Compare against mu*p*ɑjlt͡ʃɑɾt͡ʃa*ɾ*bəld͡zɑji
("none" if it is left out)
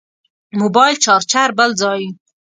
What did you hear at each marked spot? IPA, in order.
b, ɾ

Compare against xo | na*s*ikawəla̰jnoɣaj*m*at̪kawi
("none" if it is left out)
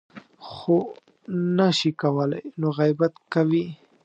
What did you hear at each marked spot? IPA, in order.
ʃ, b

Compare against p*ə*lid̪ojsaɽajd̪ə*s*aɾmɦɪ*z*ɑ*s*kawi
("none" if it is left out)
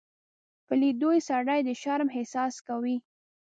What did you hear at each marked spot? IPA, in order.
ə, ʃ, s, s

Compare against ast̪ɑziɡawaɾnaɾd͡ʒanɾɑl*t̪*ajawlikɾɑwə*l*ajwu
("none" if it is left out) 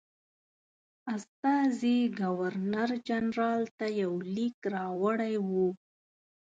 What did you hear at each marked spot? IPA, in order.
t̪, ɽ

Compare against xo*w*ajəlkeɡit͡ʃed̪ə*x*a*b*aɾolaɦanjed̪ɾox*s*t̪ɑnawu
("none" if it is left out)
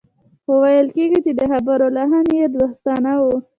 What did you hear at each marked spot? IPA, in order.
w, x, b, s

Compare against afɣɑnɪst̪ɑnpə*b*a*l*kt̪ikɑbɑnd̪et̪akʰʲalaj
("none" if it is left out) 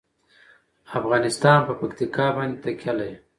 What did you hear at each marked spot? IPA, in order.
p, none

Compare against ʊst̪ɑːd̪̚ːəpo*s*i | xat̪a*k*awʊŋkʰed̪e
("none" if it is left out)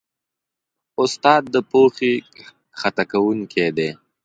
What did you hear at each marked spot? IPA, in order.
x, k

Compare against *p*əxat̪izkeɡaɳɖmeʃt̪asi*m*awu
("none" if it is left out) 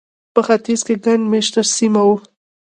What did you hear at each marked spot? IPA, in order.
p, m

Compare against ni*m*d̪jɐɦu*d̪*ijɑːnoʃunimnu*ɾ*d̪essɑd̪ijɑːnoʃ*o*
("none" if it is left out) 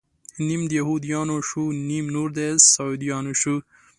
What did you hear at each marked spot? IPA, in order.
m, d̪, ɾ, u

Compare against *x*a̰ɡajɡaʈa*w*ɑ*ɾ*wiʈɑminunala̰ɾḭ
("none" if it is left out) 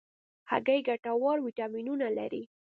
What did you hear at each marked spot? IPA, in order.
h, w, ɾ

